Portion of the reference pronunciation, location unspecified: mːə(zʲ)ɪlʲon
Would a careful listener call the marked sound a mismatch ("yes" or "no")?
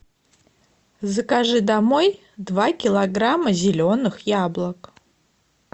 no